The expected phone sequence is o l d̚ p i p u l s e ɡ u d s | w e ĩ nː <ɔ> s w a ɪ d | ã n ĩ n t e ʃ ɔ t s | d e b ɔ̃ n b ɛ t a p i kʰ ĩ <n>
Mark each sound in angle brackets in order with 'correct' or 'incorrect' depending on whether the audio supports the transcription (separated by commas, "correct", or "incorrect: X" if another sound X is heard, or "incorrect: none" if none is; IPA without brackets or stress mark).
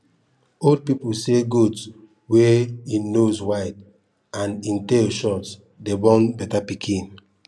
incorrect: o, correct